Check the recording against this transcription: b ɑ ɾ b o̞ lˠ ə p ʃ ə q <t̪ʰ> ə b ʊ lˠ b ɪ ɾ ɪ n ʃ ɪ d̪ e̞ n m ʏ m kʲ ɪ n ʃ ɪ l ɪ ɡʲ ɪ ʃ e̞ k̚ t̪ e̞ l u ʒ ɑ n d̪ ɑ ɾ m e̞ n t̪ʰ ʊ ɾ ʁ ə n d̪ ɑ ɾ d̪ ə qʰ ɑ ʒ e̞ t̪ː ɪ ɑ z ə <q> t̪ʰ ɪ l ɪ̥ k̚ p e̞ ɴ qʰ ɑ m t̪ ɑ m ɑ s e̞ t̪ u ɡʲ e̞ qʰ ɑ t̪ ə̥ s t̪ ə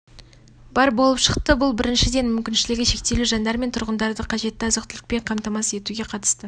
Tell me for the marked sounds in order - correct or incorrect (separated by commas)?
incorrect, correct